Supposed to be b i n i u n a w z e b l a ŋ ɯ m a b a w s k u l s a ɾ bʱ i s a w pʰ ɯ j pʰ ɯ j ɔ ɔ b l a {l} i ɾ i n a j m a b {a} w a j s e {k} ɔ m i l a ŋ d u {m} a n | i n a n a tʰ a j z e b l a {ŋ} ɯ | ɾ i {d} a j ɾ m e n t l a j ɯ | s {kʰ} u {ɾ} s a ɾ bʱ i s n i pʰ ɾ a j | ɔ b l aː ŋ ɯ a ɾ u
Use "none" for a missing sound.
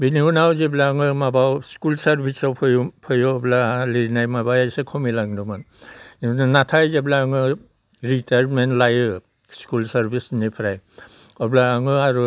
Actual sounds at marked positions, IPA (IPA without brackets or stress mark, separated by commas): l, a, kʰ, m, ŋ, t, k, l